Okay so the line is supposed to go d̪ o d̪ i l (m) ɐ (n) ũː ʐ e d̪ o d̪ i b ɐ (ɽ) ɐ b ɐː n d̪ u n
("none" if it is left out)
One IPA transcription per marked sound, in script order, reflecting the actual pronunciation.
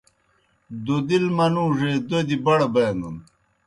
m, n, ɽ

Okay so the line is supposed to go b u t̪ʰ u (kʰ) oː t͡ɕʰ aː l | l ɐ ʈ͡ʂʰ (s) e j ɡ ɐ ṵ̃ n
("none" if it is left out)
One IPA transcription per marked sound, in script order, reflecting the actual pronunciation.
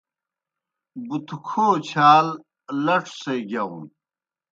kʰ, s

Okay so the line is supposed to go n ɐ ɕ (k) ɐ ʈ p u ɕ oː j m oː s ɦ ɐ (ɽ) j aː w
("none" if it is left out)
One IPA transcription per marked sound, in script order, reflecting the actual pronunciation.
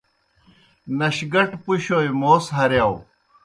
ɡ, ɾ

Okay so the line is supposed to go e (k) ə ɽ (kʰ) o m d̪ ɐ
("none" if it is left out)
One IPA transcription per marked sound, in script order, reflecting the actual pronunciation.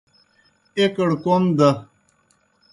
k, k

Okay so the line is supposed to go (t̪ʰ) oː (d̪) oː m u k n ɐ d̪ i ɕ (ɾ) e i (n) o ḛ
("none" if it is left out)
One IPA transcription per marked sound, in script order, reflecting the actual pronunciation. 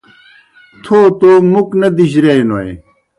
t̪ʰ, t̪, ɾ, n

